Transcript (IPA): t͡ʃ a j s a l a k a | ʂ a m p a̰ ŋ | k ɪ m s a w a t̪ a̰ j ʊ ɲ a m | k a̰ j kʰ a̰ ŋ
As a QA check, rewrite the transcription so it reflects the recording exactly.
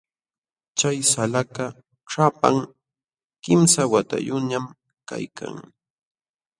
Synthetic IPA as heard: t͡ʃ a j s a l a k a | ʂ a p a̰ ŋ | k ɪ m s a w a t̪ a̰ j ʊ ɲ a m | k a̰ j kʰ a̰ ŋ